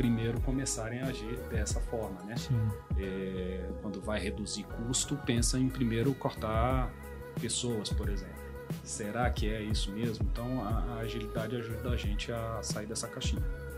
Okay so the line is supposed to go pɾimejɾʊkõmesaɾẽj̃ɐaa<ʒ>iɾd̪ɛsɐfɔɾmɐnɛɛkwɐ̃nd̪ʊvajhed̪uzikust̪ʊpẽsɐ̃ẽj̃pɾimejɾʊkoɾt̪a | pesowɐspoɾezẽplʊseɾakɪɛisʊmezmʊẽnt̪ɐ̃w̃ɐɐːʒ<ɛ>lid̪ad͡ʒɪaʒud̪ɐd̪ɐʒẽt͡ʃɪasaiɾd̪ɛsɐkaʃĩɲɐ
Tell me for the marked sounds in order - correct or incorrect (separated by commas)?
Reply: correct, incorrect